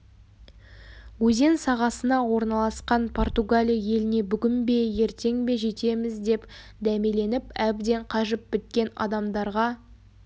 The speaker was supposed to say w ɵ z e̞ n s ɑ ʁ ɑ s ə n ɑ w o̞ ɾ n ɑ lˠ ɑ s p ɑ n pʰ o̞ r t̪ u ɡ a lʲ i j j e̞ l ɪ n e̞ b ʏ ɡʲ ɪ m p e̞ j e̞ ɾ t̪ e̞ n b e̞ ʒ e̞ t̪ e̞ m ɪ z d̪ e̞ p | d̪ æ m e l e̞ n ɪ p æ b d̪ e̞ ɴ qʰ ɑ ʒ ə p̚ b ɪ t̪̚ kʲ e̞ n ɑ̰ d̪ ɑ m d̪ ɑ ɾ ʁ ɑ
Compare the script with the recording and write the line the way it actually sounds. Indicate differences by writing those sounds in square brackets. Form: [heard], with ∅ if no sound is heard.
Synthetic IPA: w ɵ z e̞ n s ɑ ʁ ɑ s ə n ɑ w o̞ ɾ n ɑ lˠ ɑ s [q] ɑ n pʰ o̞ r t̪ u ɡ a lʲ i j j e̞ l ɪ n e̞ b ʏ ɡʲ ɪ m [b] e̞ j e̞ ɾ t̪ e̞ [ŋ] b e̞ ʒ e̞ t̪ e̞ m ɪ z d̪ e̞ p | d̪ æ m e l e̞ n ɪ p æ b d̪ e̞ ɴ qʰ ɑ ʒ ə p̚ b ɪ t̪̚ kʲ e̞ n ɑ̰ d̪ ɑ m d̪ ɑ ɾ ʁ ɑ